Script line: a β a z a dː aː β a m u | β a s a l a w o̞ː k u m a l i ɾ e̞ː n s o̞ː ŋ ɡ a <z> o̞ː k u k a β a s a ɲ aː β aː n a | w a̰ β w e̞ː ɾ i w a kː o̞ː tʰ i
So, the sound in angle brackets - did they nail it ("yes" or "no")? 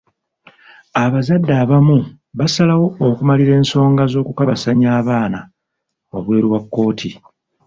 yes